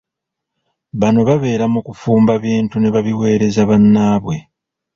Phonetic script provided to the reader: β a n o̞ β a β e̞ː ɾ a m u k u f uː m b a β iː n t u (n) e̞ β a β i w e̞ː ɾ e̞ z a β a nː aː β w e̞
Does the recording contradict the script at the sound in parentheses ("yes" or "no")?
no